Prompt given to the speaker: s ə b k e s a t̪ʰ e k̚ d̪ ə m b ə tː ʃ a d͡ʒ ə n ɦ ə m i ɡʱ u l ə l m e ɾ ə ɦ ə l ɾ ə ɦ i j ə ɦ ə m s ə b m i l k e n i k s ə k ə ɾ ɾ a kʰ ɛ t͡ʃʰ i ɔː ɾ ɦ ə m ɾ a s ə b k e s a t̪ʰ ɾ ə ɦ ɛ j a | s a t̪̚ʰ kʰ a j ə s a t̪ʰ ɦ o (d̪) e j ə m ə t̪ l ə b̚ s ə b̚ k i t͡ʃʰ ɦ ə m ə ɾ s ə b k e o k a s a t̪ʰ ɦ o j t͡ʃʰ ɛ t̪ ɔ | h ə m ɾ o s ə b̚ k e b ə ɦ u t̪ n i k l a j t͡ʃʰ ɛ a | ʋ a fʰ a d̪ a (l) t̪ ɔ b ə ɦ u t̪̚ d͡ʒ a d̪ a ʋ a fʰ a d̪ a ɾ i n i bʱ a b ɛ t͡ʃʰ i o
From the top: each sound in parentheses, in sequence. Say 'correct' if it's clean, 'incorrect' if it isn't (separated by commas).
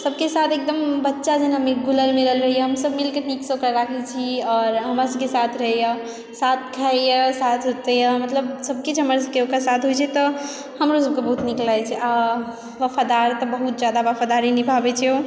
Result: incorrect, incorrect